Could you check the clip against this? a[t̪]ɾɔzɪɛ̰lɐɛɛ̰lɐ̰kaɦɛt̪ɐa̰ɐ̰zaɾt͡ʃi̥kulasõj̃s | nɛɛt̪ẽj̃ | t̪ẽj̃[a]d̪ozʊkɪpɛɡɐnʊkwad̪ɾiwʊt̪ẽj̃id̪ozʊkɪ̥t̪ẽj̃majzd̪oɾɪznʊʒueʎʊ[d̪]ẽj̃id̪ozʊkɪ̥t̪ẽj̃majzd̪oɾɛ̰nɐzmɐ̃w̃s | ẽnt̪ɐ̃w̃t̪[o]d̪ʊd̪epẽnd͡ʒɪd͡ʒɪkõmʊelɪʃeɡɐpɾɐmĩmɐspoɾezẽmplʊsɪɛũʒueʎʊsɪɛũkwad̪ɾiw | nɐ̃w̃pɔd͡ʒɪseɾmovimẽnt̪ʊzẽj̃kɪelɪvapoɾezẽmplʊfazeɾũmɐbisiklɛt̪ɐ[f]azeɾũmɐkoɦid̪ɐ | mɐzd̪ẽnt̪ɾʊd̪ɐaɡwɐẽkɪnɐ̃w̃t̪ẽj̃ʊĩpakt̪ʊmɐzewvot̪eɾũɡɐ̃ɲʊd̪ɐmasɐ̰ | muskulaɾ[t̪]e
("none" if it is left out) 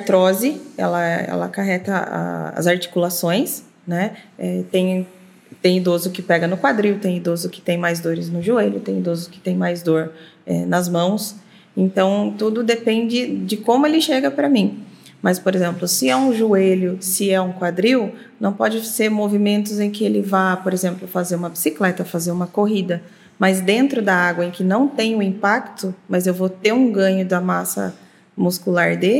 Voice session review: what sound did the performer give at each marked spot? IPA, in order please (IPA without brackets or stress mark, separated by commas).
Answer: t̪, i, t̪, u, f, d̪